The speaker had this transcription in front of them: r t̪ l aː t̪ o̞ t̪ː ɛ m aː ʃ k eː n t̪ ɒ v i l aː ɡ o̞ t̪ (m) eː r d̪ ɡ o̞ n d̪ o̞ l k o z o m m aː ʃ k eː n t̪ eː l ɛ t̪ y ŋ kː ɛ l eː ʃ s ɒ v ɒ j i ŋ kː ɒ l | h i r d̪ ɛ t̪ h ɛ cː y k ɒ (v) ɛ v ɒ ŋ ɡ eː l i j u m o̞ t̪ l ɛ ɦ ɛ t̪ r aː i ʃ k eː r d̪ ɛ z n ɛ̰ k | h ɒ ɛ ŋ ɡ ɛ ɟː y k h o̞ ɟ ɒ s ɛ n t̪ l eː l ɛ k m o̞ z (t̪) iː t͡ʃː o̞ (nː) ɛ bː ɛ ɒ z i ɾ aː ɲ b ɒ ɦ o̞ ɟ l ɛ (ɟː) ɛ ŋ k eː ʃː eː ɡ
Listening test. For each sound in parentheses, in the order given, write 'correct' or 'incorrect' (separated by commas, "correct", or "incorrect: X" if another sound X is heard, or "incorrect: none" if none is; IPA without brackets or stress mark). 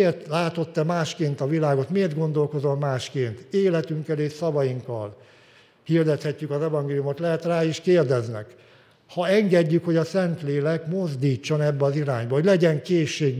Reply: correct, incorrect: z, incorrect: d̪, incorrect: n, incorrect: ɟ